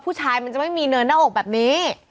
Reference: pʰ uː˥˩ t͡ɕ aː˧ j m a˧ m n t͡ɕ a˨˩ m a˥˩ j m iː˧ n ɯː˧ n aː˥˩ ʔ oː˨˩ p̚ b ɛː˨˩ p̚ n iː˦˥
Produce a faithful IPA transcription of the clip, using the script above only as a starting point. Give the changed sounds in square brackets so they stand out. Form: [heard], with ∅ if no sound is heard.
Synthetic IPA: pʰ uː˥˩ [t͡ɕʰ] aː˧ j m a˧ [∅] n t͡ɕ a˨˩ m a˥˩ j m iː˧ n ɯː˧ n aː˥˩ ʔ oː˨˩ [k̚] b ɛː˨˩ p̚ n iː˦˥